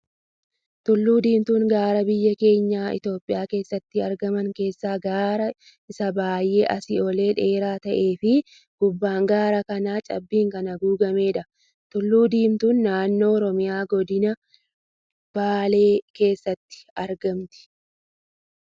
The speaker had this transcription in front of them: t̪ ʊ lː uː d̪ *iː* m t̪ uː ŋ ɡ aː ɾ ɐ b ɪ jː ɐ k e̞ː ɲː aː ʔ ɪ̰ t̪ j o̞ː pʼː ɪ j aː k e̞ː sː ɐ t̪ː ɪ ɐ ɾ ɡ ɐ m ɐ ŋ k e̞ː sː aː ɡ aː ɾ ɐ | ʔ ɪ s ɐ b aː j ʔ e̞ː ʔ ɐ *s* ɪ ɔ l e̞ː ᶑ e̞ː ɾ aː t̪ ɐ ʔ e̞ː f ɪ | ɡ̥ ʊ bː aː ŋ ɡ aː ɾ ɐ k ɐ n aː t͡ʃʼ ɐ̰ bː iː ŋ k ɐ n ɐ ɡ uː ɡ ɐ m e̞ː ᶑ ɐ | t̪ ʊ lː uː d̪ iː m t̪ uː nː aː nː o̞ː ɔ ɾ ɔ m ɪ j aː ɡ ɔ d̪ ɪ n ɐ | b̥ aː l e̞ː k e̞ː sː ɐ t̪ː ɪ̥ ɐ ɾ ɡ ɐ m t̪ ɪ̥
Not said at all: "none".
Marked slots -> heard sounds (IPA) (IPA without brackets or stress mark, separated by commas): iː, s